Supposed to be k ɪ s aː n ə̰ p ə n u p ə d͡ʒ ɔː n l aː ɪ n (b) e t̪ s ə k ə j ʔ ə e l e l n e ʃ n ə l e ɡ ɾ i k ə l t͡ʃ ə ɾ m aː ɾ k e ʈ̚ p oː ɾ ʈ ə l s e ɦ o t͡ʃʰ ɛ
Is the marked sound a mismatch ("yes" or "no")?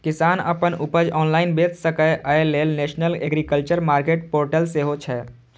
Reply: no